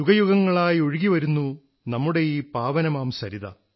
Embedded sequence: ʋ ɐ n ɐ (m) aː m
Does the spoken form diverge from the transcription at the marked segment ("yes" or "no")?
no